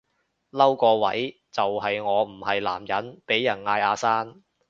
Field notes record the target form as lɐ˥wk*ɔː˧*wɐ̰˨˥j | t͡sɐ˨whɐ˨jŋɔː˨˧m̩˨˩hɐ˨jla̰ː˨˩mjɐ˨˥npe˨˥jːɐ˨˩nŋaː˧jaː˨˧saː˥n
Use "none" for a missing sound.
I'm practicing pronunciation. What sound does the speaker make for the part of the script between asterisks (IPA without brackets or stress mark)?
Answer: ɔː˧